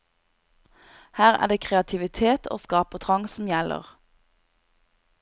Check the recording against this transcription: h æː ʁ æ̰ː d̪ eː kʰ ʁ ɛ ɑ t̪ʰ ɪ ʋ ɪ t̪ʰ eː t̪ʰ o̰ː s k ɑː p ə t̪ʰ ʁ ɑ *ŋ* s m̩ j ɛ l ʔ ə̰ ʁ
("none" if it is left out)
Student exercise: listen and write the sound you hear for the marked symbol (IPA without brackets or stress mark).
ŋ